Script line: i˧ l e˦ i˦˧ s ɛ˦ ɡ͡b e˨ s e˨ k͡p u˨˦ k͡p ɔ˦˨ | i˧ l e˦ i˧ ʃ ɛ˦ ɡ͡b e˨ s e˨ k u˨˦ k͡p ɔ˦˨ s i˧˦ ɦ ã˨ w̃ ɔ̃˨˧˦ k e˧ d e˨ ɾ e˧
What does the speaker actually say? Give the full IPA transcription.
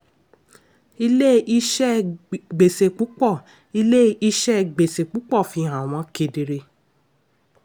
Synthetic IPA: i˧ l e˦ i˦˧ ʃ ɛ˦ ɡ͡b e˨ s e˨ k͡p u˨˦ k͡p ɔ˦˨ | i˧ l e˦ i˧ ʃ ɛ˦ ɡ͡b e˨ s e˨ k͡p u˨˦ k͡p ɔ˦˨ f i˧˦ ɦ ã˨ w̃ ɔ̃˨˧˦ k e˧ d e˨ ɾ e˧